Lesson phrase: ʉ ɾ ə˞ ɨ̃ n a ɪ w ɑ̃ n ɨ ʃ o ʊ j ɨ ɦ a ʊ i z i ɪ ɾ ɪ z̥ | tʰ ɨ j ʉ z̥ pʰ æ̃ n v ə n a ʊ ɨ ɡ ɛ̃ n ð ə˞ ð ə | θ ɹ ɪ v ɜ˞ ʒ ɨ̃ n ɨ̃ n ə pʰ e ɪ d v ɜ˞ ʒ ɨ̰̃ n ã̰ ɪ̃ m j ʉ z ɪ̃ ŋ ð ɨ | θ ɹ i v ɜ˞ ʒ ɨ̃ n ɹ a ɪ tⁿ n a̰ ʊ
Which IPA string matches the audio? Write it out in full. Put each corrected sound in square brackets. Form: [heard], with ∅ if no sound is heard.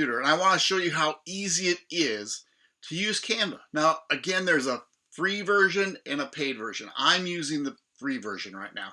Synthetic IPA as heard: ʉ ɾ ə˞ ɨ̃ n a ɪ w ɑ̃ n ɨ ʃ o ʊ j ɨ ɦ a ʊ i z i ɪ ɾ ɪ z̥ | tʰ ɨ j ʉ z̥ [kʰ] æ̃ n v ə n a ʊ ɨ ɡ ɛ̃ n ð ə˞ [z] ə | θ ɹ [i] v ɜ˞ ʒ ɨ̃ n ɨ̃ n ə pʰ e ɪ d v ɜ˞ ʒ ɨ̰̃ n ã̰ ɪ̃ m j ʉ z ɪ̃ ŋ ð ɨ | θ ɹ i v ɜ˞ ʒ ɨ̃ n ɹ a ɪ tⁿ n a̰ ʊ